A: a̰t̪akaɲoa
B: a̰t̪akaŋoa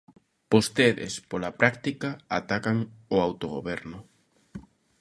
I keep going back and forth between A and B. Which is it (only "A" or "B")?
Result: B